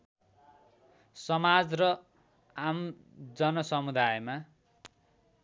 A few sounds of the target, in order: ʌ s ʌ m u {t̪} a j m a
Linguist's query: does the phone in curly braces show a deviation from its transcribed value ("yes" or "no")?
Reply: yes